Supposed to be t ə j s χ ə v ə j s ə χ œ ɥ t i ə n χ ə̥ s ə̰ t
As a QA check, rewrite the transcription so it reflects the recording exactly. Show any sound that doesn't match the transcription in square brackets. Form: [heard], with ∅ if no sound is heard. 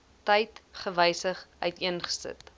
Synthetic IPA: t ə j [t] χ ə v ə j s ə χ œ ɥ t i ə n χ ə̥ s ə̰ t